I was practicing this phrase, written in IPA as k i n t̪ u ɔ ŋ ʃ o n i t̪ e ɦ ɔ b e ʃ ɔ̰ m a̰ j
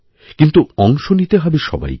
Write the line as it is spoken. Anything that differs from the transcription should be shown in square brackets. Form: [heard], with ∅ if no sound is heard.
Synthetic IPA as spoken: k i n t̪ u ɔ ŋ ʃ o n i t̪ e ɦ ɔ b e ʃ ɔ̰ [b] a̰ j